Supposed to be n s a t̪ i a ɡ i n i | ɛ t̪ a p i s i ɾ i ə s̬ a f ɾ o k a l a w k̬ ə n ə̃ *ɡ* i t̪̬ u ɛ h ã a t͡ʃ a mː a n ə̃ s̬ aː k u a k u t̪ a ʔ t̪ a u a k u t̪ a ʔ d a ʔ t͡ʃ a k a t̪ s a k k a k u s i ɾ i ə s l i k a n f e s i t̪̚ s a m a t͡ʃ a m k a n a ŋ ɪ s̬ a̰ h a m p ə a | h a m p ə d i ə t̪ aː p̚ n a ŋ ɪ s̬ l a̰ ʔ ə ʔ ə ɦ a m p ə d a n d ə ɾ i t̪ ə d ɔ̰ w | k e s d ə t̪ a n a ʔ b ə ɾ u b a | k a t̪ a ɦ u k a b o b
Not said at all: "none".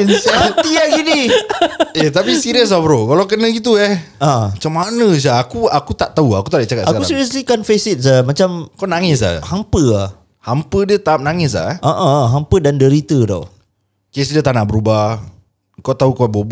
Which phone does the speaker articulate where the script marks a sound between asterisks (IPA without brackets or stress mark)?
ɡ